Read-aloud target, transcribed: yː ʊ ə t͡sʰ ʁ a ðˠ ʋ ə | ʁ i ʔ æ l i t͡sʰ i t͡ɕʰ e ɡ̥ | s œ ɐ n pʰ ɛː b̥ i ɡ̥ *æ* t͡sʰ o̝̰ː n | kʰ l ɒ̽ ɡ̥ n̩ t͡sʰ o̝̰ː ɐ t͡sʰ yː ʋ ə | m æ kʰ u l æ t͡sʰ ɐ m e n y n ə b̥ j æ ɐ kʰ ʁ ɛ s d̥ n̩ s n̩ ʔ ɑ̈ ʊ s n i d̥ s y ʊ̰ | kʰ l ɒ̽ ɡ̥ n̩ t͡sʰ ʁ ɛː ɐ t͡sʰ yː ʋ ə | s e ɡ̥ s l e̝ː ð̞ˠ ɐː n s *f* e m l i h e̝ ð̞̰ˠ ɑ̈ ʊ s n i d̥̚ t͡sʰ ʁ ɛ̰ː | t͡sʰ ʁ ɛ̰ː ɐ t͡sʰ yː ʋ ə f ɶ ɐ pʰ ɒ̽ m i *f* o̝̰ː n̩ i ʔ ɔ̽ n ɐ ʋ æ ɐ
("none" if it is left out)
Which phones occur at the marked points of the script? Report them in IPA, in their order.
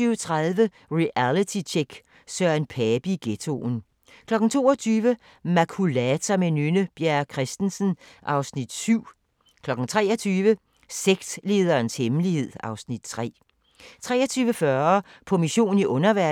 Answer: e, h, ɕ

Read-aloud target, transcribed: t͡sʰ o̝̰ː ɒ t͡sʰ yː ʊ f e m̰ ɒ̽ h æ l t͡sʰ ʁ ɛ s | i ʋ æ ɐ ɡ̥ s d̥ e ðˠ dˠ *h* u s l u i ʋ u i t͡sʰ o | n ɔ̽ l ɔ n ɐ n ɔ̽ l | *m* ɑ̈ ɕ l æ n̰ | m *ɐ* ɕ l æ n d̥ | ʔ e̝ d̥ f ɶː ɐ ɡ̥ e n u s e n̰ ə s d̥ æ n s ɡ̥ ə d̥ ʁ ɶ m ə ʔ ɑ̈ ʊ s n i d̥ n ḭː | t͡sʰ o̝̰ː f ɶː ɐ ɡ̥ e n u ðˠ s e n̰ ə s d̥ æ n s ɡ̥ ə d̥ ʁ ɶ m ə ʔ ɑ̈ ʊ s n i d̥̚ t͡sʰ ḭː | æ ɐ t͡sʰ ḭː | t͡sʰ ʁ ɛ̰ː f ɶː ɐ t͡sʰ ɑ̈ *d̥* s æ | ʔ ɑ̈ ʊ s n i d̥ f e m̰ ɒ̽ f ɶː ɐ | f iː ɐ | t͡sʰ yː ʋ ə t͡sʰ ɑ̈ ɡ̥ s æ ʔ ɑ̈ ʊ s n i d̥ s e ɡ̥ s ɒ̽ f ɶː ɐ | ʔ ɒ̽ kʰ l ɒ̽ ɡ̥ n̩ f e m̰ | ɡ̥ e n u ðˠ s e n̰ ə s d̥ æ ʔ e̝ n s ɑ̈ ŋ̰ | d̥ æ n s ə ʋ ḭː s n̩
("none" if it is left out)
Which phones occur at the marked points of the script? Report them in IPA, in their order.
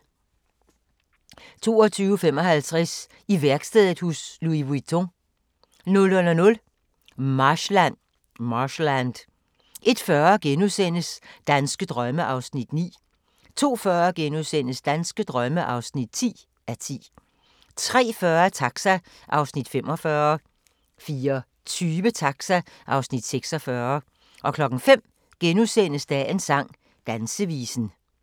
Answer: h, m, ɑ, ɡ̥

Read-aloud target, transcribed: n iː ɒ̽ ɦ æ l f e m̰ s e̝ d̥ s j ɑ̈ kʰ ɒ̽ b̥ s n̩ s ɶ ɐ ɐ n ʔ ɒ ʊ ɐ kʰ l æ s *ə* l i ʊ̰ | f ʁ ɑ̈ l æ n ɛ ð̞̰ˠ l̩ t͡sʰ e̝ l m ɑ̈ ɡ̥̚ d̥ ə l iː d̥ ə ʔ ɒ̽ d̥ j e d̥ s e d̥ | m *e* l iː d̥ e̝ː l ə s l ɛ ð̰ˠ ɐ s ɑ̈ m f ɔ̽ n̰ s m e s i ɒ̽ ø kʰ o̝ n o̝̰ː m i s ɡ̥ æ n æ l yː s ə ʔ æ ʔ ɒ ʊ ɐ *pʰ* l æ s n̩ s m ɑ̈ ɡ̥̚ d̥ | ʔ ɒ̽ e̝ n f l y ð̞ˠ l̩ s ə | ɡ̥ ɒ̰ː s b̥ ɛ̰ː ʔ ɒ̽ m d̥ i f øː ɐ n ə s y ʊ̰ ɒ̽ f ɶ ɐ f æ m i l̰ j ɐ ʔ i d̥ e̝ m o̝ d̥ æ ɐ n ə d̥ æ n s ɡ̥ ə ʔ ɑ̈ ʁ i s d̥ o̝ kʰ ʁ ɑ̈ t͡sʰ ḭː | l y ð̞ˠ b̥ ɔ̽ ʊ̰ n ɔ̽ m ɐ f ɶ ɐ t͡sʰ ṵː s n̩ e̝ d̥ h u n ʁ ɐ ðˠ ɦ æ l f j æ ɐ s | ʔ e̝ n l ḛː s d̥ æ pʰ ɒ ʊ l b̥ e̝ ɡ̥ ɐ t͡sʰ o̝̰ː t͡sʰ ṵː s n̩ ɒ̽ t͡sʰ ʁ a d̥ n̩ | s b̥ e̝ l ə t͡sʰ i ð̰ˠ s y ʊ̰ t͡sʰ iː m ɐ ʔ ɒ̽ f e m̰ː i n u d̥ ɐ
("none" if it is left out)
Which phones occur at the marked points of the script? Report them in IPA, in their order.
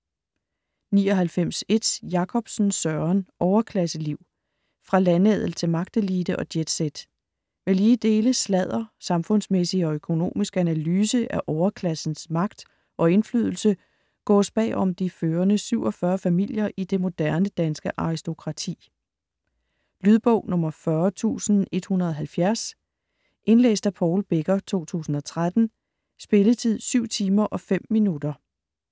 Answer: ə, e, kʰ

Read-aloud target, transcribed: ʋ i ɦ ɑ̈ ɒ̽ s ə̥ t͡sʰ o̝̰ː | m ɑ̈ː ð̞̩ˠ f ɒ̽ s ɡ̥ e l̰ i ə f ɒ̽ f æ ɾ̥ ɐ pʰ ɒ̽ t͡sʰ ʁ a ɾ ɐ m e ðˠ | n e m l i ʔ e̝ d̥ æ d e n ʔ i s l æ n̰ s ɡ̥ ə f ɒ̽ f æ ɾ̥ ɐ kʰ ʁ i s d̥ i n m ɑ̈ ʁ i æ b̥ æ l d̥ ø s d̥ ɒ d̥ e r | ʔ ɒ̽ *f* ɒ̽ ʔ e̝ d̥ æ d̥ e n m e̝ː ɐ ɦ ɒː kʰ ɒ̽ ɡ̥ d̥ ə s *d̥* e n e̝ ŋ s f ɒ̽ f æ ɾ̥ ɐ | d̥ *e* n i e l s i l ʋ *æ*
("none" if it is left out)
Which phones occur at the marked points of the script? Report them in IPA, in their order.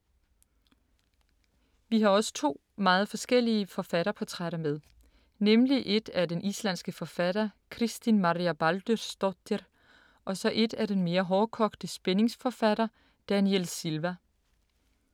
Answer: s, b̥, æ, æ

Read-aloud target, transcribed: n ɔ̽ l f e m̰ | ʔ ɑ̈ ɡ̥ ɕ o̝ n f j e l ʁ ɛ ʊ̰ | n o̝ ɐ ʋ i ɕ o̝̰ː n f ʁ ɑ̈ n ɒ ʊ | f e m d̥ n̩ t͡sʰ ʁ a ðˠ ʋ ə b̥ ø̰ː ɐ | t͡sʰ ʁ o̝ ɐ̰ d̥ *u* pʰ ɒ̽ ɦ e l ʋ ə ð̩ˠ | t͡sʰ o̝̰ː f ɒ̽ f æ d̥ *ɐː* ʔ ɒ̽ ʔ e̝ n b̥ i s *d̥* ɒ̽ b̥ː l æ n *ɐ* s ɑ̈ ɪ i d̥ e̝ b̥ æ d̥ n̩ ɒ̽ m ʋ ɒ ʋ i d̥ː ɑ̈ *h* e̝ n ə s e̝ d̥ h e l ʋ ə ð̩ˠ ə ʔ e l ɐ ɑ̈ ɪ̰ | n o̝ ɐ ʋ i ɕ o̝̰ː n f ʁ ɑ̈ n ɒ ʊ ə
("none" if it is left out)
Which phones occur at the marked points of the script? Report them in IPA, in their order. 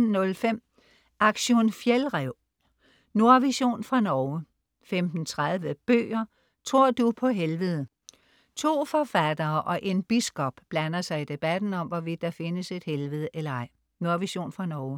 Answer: u, ɐː, ɡ̥, ɐ, f

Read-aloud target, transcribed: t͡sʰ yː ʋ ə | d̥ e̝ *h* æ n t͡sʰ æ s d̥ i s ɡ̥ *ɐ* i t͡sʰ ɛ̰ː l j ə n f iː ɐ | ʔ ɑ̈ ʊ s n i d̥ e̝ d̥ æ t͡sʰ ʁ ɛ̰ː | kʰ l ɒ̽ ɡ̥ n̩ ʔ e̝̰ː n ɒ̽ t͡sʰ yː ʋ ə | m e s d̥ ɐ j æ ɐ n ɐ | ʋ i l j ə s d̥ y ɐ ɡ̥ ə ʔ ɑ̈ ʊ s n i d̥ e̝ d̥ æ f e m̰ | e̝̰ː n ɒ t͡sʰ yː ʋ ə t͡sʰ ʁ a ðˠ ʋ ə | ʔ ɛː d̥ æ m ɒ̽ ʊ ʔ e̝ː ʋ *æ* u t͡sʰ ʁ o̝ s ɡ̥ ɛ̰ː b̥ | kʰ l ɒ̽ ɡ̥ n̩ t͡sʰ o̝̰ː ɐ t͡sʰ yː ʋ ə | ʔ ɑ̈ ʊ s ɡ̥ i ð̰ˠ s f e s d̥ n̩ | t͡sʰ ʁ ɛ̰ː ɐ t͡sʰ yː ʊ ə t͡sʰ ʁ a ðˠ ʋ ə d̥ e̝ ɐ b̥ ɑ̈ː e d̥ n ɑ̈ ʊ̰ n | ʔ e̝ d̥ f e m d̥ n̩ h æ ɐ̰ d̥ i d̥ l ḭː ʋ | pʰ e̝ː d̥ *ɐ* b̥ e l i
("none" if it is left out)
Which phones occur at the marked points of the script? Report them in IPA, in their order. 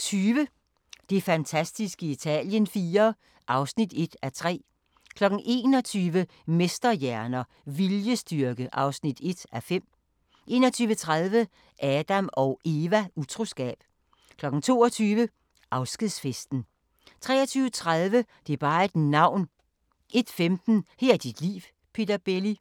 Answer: f, ə, æ, ɐ

